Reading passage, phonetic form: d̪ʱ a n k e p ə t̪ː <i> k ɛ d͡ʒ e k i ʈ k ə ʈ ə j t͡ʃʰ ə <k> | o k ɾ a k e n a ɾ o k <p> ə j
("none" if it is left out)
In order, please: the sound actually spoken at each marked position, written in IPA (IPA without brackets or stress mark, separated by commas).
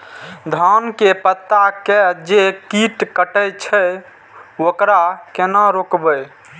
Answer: a, none, b